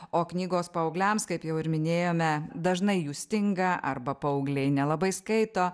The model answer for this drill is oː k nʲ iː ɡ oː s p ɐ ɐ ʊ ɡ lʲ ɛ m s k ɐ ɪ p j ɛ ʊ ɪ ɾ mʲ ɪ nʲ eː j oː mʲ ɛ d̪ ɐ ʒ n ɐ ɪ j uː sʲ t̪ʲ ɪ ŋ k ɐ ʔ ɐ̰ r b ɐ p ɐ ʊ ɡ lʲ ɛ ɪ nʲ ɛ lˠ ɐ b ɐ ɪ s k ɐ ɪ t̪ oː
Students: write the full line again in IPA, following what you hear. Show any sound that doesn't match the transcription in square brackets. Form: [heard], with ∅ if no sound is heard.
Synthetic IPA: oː k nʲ iː ɡ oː s p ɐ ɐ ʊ ɡ lʲ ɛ m s k ɐ ɪ p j ɛ ʊ ɪ ɾ mʲ ɪ nʲ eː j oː mʲ ɛ d̪ ɐ ʒ n ɐ ɪ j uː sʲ t̪ʲ ɪ ŋ [ɡ] ɐ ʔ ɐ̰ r b ɐ p ɐ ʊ ɡ lʲ ɛ ɪ nʲ ɛ lˠ ɐ b ɐ ɪ s k ɐ ɪ t̪ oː